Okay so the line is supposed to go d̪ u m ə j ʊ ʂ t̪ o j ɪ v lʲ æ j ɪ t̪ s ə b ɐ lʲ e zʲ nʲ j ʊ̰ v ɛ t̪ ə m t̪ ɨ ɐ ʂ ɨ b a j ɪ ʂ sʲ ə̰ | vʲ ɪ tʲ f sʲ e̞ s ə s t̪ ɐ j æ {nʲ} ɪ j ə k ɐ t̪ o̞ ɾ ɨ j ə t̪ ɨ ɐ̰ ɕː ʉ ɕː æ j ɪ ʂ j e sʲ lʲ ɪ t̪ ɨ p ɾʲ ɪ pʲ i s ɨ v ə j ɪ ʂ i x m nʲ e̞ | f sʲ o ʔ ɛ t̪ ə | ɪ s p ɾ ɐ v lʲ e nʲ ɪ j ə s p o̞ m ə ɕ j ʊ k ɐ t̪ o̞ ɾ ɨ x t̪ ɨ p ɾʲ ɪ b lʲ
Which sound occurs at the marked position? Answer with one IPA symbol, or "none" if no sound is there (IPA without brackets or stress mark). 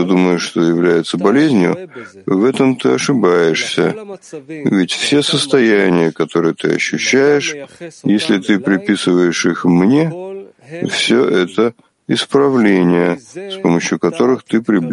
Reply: nʲ